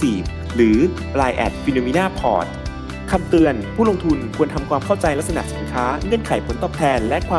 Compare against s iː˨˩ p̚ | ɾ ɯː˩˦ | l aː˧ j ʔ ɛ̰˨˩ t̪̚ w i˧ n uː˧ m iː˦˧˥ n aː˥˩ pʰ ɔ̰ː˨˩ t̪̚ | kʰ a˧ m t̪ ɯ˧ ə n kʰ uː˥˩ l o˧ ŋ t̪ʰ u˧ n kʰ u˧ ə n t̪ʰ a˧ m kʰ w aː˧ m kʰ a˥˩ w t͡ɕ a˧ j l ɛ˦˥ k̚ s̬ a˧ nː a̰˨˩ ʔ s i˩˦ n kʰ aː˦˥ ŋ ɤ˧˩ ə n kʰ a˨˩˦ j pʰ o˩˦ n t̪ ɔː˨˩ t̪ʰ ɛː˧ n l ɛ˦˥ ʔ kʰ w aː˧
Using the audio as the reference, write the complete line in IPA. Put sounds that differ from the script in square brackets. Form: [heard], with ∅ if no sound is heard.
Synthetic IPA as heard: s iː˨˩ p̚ | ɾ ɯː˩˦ | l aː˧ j ʔ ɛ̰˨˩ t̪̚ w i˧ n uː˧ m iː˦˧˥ n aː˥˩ pʰ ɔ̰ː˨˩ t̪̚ | kʰ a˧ m t̪ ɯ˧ ə n [pʰ] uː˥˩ l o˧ ŋ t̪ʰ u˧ n kʰ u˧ ə n t̪ʰ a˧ m kʰ w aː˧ m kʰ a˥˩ w t͡ɕ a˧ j l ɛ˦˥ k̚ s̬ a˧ [n] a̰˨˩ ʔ s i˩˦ n kʰ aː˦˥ ŋ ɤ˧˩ ə n kʰ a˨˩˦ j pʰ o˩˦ n t̪ ɔː˨˩ t̪ʰ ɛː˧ n l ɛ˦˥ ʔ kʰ w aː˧